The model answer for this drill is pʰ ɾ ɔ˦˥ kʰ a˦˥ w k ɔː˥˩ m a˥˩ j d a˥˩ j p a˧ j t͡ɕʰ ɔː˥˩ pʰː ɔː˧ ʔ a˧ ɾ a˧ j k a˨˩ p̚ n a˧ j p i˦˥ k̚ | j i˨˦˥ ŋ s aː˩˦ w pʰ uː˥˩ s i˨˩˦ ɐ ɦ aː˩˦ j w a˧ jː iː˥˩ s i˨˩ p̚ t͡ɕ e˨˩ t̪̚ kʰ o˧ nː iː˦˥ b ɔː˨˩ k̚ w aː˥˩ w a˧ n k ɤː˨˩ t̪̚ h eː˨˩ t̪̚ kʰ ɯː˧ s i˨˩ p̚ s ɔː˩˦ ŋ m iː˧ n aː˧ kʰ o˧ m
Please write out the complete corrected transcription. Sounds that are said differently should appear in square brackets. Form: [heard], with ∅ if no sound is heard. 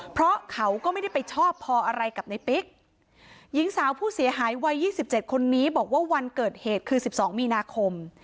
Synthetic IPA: pʰ ɾ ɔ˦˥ kʰ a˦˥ w k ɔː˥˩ m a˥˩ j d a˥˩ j p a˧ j t͡ɕʰ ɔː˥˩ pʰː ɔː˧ ʔ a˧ ɾ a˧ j k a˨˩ p̚ n a˧ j p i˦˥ k̚ | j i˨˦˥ ŋ s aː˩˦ w pʰ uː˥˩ s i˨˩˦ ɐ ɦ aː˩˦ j w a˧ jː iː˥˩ s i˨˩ p̚ t͡ɕ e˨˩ t̪̚ kʰ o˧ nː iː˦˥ b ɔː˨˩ k̚ w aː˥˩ w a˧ n k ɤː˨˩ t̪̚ h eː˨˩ t̪̚ kʰ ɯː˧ s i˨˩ p̚ s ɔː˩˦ ŋ m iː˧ n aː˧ kʰ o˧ m